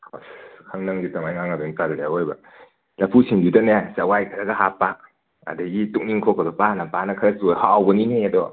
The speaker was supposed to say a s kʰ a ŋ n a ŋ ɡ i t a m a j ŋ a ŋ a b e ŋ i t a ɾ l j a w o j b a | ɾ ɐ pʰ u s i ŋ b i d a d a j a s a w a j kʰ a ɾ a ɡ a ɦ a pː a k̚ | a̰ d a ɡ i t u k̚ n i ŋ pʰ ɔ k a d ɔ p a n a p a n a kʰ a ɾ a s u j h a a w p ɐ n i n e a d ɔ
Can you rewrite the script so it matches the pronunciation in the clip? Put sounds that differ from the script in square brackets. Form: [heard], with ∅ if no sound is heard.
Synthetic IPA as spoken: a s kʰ a ŋ n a ŋ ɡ i t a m a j ŋ a ŋ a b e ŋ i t a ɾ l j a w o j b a | [l] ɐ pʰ u s i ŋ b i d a [n] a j a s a w a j kʰ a ɾ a ɡ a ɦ a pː a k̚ | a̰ d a ɡ i t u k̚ n i ŋ [kʰ] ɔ k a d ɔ p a n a p a n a kʰ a ɾ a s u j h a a w [b] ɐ n i n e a d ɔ